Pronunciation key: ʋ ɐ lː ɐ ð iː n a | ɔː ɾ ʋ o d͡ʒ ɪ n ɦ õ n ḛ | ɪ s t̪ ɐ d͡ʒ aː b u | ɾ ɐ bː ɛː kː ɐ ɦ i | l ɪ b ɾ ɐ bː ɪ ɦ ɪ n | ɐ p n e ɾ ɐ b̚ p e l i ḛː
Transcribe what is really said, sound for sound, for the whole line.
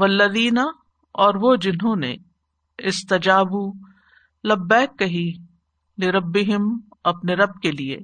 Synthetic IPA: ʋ ɐ lː ɐ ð iː n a | ɔː ɾ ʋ o d͡ʒ ɪ n ɦ õ n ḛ | ɪ s t̪ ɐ d͡ʒ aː b u | l ɐ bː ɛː kː ɐ ɦ i | l ɪ ɾ ɐ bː ɪ ɦ ɪ m | ɐ p n e ɾ ɐ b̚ k e l i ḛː